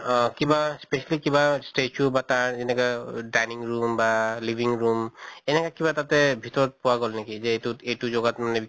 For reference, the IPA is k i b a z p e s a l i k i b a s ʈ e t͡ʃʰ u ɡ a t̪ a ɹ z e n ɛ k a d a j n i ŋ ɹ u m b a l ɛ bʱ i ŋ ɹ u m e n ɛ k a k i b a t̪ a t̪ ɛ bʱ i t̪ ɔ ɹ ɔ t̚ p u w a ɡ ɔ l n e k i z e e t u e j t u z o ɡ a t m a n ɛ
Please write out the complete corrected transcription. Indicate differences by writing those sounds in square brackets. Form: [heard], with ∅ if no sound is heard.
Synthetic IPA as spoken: k i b a [s] p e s a l i k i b a s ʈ e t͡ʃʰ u [b] a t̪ a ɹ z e n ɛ k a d a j n i ŋ ɹ u m b a l [i] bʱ i ŋ ɹ u m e n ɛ k a k i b a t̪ a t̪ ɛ bʱ i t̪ ɔ ɹ ɔ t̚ p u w a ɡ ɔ l n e k i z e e t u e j t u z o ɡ a t m a n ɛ